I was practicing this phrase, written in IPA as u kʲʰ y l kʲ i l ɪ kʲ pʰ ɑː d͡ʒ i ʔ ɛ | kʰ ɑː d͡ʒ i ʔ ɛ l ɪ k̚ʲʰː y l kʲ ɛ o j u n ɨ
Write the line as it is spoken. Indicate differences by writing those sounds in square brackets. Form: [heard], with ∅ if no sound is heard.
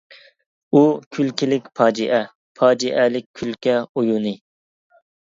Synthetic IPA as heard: u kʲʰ y l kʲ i l ɪ kʲ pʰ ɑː d͡ʒ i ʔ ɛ | [pʰ] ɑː d͡ʒ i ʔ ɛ l ɪ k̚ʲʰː y l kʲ ɛ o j u n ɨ